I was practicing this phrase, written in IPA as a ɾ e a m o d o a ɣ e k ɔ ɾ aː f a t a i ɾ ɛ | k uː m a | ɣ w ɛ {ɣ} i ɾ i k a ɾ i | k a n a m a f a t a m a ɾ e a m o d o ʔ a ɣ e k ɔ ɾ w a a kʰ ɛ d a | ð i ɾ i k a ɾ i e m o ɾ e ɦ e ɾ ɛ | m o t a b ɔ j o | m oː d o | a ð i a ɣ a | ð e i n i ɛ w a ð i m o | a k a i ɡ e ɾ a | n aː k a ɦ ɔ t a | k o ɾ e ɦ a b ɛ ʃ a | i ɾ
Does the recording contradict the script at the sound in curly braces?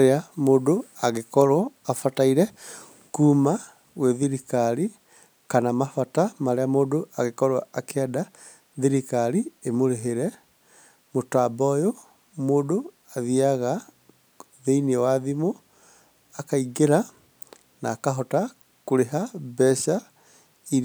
yes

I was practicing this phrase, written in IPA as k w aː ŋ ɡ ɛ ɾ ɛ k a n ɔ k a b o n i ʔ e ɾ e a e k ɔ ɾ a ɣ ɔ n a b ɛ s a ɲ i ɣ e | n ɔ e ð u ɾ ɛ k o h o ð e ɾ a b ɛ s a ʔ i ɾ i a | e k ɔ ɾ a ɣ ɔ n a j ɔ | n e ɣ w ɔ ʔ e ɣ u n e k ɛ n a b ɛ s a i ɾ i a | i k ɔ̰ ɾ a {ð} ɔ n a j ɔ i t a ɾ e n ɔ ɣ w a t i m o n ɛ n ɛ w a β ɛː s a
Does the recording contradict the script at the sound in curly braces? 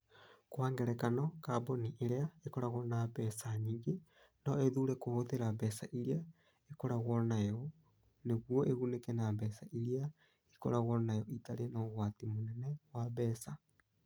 yes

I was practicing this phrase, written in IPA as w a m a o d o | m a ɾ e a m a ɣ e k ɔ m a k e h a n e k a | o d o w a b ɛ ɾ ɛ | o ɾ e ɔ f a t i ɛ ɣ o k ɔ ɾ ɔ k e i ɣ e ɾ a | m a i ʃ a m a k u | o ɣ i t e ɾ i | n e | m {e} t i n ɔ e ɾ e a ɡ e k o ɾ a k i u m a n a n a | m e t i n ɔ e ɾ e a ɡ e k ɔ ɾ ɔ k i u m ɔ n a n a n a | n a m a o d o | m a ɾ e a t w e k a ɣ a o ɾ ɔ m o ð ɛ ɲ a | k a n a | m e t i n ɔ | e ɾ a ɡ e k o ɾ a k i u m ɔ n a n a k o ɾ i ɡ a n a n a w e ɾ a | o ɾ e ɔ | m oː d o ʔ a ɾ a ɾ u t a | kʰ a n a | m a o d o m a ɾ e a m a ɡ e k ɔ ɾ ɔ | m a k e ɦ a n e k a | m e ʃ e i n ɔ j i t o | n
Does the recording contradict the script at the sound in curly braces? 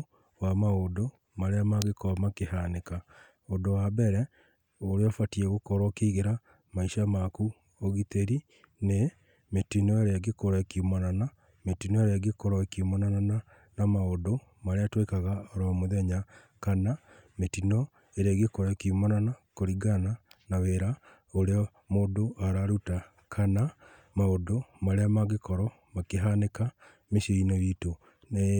no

